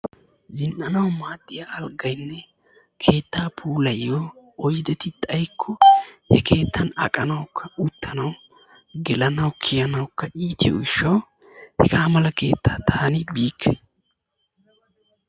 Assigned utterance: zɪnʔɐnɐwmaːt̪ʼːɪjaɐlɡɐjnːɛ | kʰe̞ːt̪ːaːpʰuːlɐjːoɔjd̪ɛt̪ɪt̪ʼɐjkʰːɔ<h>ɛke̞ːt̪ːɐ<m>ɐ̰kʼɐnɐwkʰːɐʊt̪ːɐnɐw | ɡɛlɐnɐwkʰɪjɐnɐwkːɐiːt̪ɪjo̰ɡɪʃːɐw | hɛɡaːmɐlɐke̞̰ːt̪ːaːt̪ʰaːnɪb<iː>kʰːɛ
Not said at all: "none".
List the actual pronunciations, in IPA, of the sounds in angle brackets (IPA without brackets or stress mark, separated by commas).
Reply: h, n, iː